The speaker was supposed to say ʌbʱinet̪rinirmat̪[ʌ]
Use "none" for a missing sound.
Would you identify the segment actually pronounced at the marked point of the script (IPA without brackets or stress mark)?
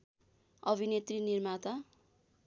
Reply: a